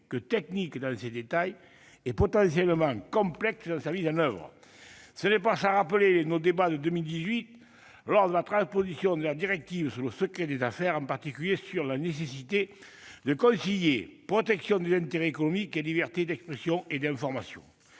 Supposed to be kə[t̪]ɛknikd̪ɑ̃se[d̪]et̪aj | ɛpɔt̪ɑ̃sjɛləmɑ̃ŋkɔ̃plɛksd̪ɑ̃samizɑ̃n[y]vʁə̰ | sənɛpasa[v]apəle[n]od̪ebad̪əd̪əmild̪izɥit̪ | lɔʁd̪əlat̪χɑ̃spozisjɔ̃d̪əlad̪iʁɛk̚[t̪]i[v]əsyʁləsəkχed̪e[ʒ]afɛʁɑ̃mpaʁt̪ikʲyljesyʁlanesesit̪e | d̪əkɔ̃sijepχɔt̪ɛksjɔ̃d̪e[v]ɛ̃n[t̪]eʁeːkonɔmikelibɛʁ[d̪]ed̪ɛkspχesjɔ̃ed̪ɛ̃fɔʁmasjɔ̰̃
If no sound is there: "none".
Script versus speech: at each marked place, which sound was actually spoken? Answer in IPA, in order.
t̪, d̪, œ, ʁ, n, t̪, v, z, z, t̪, t̪

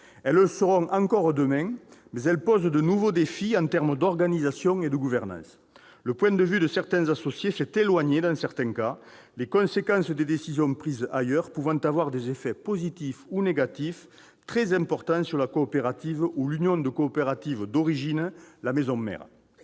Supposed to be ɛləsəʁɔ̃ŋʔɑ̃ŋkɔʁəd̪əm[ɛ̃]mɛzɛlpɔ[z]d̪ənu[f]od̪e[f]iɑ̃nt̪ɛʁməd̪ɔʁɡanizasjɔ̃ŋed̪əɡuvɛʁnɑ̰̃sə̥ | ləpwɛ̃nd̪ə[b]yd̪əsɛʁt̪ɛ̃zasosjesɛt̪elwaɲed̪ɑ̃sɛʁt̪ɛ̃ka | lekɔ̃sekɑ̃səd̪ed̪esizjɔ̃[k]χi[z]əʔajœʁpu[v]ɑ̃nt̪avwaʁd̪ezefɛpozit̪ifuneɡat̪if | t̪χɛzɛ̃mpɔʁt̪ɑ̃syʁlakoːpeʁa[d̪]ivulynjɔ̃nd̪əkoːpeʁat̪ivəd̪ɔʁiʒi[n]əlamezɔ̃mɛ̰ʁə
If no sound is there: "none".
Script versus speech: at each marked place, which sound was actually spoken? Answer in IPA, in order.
ɛ̃, z, v, f, v, p, z, v, t̪, n

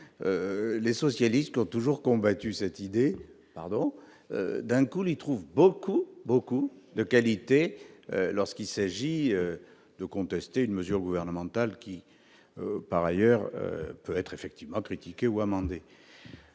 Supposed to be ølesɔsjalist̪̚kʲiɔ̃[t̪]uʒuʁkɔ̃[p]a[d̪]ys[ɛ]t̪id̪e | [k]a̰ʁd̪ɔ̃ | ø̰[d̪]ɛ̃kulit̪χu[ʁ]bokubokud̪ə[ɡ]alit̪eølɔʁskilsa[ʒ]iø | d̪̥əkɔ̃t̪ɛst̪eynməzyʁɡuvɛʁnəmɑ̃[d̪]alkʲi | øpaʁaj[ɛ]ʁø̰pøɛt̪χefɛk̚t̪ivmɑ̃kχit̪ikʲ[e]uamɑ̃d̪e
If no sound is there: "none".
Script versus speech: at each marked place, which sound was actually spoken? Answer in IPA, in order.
t̪, b, t̪, ɛ, p, d̪, v, k, ʒ, t̪, œ, e

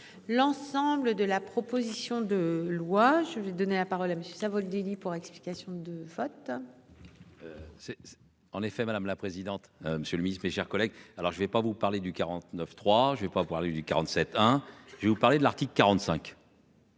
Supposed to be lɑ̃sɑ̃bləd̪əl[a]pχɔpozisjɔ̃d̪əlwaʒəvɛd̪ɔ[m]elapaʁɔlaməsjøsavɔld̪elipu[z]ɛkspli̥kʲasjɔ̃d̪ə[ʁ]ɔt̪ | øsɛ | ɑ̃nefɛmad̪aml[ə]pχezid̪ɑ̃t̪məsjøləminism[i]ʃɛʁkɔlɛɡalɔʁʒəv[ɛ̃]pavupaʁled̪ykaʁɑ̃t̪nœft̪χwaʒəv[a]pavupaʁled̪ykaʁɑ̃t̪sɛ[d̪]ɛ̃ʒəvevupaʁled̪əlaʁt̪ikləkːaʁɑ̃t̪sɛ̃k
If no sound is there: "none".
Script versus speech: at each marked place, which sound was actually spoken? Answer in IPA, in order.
a, n, ʁ, v, a, e, ɛ, ɛ, t̪

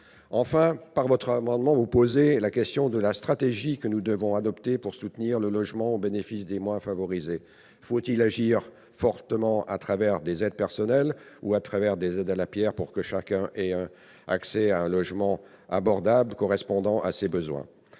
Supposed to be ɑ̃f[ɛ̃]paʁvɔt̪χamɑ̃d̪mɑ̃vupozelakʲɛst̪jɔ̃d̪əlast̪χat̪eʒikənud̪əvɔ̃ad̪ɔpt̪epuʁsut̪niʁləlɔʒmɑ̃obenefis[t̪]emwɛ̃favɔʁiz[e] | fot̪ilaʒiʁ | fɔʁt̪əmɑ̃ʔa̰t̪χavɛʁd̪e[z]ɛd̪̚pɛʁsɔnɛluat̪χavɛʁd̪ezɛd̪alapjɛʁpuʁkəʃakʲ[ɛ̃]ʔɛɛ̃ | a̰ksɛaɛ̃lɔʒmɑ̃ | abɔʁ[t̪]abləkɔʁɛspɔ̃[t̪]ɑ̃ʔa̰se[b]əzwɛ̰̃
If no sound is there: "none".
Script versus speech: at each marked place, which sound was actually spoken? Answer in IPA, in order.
ɛ̃, d̪, e, z, ɛ̃, d̪, d̪, b

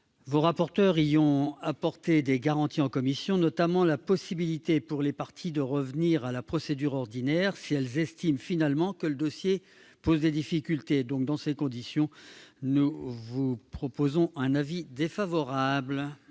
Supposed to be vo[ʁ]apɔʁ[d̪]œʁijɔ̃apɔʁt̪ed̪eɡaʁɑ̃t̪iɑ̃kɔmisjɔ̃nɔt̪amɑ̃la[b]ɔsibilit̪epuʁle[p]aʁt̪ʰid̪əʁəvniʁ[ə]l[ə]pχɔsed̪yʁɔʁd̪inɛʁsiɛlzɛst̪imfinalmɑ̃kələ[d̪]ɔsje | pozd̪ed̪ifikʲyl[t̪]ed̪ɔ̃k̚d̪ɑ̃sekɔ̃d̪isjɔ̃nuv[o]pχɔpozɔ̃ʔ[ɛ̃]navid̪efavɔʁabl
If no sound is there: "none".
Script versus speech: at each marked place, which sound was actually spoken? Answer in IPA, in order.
ʁ, t̪, p, p, a, a, d̪, t̪, u, ɛ̃

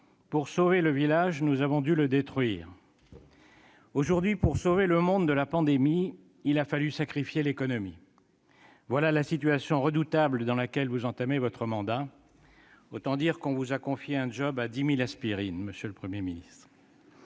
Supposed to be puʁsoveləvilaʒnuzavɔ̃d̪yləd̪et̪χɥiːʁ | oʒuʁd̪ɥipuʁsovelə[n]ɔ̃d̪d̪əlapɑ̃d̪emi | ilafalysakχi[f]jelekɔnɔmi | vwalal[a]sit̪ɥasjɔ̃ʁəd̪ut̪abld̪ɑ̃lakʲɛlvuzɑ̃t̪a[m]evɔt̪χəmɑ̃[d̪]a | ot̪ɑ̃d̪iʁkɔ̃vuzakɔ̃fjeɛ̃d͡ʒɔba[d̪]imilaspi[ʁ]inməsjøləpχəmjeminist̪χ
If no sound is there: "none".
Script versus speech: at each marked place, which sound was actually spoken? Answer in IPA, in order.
m, f, a, m, d̪, d̪, ʁ

